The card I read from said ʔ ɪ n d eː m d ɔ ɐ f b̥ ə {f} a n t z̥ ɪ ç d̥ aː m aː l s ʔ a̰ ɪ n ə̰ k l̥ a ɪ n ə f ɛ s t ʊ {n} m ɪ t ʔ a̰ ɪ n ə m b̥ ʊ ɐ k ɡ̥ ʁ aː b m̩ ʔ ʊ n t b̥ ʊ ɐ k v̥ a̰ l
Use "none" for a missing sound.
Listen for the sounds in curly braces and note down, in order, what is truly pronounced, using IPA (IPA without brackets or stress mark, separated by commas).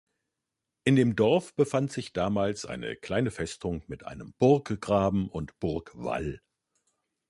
f, ŋ